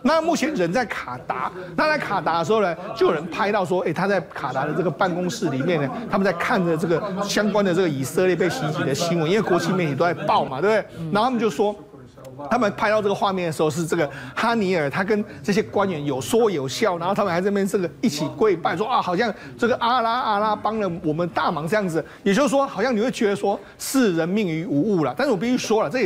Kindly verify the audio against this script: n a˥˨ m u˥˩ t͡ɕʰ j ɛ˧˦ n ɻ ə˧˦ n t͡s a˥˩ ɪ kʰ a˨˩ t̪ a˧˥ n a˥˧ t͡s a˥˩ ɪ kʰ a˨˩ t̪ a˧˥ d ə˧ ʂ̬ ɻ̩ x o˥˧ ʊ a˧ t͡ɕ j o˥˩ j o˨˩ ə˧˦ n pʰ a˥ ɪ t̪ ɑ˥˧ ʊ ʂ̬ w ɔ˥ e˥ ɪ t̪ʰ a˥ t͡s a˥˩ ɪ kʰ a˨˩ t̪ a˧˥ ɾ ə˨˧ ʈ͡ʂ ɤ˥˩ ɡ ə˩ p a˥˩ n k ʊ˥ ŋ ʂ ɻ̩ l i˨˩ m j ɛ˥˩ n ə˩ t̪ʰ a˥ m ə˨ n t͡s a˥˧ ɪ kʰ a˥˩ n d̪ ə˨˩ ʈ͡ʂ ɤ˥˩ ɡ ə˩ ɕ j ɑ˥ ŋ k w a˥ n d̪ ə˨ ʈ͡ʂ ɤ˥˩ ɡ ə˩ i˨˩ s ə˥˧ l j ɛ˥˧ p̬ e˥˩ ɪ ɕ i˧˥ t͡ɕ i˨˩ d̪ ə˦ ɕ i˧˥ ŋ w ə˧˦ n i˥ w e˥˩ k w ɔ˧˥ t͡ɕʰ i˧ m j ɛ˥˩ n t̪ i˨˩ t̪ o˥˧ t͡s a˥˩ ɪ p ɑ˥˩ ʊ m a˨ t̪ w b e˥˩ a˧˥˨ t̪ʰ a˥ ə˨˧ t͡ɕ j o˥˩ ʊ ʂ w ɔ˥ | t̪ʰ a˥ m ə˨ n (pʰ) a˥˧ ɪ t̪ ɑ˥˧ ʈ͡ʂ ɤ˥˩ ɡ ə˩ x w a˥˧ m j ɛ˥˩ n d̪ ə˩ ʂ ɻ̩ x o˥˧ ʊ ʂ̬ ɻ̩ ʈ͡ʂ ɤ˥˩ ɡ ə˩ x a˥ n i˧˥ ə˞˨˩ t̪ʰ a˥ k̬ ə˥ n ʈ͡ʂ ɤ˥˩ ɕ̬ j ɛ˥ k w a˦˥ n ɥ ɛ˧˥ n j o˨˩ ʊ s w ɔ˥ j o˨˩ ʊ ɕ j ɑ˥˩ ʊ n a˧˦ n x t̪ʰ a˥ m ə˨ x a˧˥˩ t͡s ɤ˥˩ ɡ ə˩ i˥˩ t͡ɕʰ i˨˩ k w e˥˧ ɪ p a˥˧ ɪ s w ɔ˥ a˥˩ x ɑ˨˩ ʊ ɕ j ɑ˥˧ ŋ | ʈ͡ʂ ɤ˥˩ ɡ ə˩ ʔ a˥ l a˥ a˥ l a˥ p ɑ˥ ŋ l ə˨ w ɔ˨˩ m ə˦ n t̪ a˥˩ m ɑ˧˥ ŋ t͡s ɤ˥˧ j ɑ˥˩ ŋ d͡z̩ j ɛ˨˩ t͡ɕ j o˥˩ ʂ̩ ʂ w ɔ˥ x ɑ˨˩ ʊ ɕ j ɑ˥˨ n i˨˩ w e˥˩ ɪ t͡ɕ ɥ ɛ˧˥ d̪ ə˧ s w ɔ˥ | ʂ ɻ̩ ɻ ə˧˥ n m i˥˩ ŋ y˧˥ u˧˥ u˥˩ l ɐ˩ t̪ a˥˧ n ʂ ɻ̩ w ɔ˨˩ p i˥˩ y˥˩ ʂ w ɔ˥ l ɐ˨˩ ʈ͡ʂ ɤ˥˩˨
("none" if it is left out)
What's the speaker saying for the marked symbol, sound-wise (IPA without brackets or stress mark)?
pʰ